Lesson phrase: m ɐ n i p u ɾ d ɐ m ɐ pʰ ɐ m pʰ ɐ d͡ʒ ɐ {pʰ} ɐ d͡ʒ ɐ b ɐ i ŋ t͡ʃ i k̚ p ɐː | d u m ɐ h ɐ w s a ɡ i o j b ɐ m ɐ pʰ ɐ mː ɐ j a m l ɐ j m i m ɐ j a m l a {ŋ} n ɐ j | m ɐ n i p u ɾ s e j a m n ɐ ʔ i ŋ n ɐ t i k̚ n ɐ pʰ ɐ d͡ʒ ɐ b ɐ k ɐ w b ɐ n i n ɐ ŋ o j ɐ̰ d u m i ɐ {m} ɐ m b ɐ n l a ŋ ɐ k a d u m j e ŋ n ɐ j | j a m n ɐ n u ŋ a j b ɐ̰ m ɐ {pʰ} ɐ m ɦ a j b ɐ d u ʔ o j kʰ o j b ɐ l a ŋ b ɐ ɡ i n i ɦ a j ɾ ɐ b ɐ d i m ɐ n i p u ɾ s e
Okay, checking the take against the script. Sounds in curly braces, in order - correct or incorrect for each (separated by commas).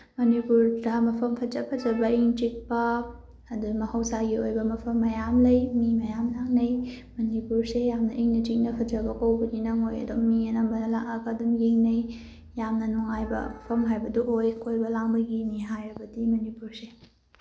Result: correct, correct, incorrect, correct